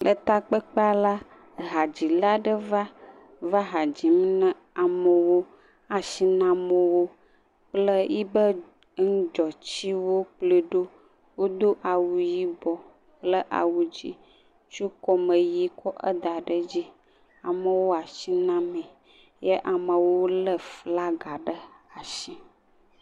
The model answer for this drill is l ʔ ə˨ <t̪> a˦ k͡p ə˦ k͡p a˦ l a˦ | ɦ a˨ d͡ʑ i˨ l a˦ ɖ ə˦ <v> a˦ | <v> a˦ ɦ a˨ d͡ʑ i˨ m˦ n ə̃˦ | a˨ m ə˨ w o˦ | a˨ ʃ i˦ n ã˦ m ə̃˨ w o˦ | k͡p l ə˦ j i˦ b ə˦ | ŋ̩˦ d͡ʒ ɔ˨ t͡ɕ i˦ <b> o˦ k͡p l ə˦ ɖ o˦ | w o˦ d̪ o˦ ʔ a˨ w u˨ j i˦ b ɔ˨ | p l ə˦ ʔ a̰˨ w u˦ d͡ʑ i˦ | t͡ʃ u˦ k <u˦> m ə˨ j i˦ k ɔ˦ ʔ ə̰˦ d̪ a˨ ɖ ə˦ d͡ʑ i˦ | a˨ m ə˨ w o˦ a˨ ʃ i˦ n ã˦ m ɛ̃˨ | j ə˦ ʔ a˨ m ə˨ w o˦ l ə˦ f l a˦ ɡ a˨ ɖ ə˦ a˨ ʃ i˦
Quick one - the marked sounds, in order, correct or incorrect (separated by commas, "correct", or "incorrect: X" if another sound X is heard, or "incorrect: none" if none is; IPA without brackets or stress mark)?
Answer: correct, correct, correct, incorrect: w, incorrect: ɔ˦